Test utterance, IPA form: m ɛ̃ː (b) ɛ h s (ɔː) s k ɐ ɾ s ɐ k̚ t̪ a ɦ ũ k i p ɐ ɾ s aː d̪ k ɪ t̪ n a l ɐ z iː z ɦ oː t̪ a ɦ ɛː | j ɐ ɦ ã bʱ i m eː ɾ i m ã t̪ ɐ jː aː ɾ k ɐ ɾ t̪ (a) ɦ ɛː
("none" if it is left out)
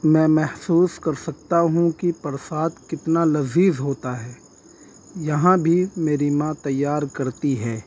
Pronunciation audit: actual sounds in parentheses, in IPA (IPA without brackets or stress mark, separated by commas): m, uː, i